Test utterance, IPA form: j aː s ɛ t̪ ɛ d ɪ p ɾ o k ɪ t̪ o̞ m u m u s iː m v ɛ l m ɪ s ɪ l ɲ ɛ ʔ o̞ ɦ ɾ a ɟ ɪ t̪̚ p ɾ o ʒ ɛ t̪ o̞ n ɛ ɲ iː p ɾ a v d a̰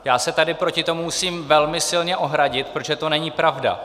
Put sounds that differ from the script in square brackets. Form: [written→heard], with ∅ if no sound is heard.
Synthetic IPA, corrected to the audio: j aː s ɛ t̪ [ɛ→a] d ɪ p ɾ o [k→c] ɪ t̪ o̞ m u m u s iː m v ɛ l m ɪ s ɪ l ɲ ɛ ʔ o̞ ɦ ɾ a ɟ ɪ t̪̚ p ɾ o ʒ ɛ t̪ o̞ n ɛ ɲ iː p ɾ a v d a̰